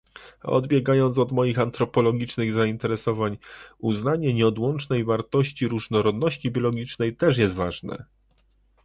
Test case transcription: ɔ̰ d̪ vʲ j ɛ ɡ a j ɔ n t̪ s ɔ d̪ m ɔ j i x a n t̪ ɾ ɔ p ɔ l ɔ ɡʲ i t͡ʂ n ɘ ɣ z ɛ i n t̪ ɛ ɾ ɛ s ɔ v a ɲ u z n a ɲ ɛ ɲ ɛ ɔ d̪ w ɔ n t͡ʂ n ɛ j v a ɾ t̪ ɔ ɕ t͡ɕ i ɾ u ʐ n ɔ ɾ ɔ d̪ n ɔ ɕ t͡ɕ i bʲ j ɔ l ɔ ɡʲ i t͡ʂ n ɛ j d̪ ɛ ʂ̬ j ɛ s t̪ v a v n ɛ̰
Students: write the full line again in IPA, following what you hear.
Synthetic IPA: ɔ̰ d̪ bʲ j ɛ ɡ a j ɔ n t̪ s ɔ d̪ m ɔ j i x a n t̪ ɾ ɔ p ɔ l ɔ ɡʲ i t͡ʂ n ɘ ɣ z a i n t̪ ɛ ɾ ɛ s ɔ v a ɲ u z n a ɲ ɛ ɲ ɛ ɔ d̪ w ɔ n t͡ʂ n ɛ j v a ɾ t̪ ɔ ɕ t͡ɕ i ɾ u ʐ n ɔ ɾ ɔ d̪ n ɔ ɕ t͡ɕ i bʲ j ɔ l ɔ ɡʲ i t͡ʂ n ɛ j t̪ ɛ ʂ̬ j ɛ s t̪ v a ʐ n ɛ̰